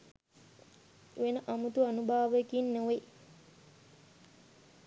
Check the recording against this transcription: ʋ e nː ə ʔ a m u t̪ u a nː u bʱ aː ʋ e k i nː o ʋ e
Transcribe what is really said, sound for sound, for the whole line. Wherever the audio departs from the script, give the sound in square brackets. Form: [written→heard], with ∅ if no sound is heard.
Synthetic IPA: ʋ e [nː→n] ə ʔ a m u t̪ u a [nː→n] u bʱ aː ʋ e k i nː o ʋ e